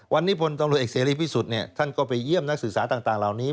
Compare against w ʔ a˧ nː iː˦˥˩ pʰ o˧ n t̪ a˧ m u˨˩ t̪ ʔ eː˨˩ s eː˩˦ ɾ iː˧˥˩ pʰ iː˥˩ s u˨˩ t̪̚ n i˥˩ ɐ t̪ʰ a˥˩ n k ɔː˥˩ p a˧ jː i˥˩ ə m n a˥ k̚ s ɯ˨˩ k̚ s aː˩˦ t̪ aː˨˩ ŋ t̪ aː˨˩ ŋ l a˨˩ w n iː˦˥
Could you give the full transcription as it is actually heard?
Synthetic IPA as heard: w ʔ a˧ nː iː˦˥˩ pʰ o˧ n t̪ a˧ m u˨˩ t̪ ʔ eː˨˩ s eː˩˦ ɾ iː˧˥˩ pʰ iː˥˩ s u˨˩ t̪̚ n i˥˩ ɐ t̪ʰ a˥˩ n k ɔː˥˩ p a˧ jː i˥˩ ə m n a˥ k̚ s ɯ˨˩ k̚ s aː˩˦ t̪ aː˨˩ ŋ t̪ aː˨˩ ŋ l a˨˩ w n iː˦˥